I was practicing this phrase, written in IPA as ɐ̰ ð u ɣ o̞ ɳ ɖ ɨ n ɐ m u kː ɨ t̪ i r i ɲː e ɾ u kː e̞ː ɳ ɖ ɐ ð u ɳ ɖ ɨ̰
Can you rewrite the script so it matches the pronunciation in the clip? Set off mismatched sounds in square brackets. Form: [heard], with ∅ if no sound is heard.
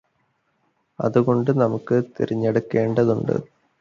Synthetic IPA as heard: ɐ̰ ð u ɣ o̞ ɳ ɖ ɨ n ɐ m u kː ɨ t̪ i [ɾ] i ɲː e [ɽ] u kː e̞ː ɳ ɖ ɐ ð u ɳ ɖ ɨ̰